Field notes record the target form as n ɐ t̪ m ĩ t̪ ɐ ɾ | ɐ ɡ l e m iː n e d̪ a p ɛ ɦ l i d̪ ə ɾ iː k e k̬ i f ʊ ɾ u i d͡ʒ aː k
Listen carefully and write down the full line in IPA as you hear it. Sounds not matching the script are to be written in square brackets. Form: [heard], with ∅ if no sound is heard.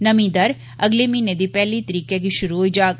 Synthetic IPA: n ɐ [∅] m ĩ [d̪] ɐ ɾ | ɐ ɡ l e m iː n e d̪ [i] p ɛ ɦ l i [t̪] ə ɾ iː k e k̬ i [ʃ] ʊ ɾ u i d͡ʒ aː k

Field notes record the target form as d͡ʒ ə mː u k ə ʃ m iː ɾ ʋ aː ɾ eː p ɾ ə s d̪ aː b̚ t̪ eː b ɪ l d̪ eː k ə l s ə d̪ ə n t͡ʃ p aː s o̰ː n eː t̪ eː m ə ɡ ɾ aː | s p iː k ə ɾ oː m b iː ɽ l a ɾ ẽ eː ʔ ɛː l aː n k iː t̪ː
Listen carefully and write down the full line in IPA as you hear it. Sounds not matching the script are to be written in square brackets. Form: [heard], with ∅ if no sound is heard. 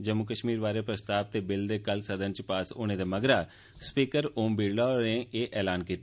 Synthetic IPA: d͡ʒ ə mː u k ə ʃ m iː ɾ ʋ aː ɾ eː p ɾ ə s [t̪] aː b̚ t̪ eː b ɪ l d̪ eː k ə l s ə d̪ ə n t͡ʃ p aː s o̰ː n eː [d̪] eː m ə ɡ ɾ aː | s p iː k ə ɾ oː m b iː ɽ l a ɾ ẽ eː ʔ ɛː l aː n k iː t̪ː

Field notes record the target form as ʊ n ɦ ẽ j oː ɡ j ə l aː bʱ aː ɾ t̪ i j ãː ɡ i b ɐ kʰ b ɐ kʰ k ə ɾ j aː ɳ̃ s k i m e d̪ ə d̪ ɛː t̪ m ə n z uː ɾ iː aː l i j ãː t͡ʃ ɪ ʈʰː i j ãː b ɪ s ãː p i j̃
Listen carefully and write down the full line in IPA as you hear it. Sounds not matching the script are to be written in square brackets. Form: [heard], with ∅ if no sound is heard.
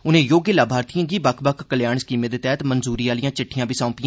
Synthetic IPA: ʊ n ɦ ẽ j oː ɡ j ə l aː bʱ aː ɾ t̪ i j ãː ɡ i b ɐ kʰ b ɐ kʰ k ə [l] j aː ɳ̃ s k i m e d̪ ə [t̪] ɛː t̪ m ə n z uː ɾ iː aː l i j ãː t͡ʃ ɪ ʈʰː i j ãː b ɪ s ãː p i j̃

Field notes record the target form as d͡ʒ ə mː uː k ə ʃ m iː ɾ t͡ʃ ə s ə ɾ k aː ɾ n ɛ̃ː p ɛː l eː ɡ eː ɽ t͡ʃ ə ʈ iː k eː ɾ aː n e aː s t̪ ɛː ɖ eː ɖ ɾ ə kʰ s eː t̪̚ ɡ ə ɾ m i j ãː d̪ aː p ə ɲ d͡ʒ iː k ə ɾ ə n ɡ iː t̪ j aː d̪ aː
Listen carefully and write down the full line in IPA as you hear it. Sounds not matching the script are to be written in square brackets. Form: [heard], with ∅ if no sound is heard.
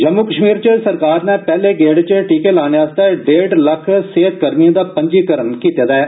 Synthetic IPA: d͡ʒ ə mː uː k ə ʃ m iː ɾ t͡ʃ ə s ə ɾ k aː ɾ n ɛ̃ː p ɛː l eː ɡ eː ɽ t͡ʃ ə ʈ iː k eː [l] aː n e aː s t̪ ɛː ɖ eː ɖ [l] ə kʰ s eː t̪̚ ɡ ə ɾ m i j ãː d̪ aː p ə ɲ d͡ʒ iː k ə ɾ ə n [k] iː t̪ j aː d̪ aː

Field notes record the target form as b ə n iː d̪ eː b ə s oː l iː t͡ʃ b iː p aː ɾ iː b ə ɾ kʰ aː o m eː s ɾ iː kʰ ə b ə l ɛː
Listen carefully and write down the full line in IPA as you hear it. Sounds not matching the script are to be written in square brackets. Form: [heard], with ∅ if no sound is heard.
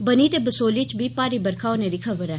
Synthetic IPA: b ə n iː [t̪] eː b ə s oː l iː t͡ʃ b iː p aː ɾ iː b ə ɾ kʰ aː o [n] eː [∅] ɾ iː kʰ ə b ə [ɾ] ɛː

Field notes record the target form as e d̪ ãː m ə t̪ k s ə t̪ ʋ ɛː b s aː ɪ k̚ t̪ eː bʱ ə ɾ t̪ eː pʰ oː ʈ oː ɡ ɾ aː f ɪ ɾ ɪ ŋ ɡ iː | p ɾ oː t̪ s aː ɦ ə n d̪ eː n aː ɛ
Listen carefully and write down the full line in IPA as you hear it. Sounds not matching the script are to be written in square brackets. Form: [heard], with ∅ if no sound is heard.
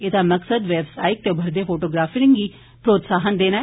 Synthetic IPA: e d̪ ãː m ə [∅] k s ə [d̪] ʋ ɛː b s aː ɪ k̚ t̪ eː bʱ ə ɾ [d̪] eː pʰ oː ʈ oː ɡ ɾ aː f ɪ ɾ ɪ ŋ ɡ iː | p ɾ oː t̪ s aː ɦ ə n d̪ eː n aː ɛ

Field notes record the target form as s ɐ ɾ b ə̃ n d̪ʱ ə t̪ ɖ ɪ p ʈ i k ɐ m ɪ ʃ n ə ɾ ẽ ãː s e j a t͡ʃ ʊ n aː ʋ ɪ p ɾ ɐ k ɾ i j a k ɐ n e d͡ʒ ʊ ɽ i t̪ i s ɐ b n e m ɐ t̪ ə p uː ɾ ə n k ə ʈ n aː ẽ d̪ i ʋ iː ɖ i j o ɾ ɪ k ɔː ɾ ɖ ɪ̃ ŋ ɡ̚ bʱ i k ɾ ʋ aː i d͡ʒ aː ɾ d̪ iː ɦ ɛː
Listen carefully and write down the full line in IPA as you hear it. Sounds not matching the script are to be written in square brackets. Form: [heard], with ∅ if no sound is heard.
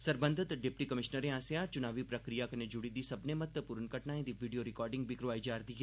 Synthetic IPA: s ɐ ɾ b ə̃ n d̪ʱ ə t̪ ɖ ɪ p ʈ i k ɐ m ɪ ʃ n ə ɾ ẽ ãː s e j a t͡ʃ ʊ n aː ʋ [i] p ɾ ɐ k ɾ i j a k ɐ n e d͡ʒ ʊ ɽ i [d̪] i s ɐ b n e m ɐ t̪ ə p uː ɾ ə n k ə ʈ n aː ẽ d̪ i ʋ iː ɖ i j o ɾ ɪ k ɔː ɾ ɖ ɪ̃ ŋ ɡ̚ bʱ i k ɾ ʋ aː i d͡ʒ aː ɾ d̪ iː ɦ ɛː

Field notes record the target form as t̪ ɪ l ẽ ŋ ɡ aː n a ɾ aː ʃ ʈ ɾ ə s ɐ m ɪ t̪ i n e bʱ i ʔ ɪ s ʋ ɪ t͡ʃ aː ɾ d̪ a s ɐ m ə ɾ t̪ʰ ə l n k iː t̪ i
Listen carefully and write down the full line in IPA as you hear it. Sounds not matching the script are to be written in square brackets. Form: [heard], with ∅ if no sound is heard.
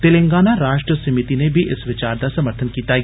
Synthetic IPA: t̪ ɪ l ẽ ŋ ɡ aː n a ɾ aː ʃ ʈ ɾ ə s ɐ m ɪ t̪ i n e bʱ i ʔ ɪ s ʋ ɪ t͡ʃ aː ɾ d̪ a s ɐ m ə ɾ t̪ʰ ə [∅] n k iː t̪ [a]

